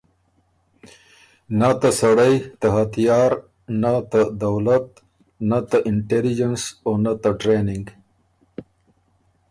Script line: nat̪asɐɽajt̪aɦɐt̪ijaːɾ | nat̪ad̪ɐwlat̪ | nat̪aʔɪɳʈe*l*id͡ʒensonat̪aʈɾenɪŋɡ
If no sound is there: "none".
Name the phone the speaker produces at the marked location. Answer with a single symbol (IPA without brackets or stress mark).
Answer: l